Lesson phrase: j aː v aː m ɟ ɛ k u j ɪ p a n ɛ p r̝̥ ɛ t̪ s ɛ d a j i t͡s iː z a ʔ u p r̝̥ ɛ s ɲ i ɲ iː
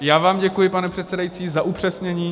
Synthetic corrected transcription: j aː v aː m ɟ ɛ k u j ɪ p a n ɛ p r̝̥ ɛ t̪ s ɛ d a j i t͡s iː z a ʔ u p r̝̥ ɛ s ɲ ɛ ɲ iː